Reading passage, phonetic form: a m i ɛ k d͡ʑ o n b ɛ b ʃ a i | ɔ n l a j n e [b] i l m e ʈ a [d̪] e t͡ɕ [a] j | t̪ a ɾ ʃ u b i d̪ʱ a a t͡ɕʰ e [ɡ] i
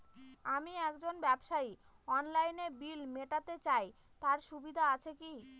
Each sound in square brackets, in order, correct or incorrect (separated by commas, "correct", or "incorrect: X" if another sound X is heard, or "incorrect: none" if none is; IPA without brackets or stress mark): correct, incorrect: t̪, correct, incorrect: k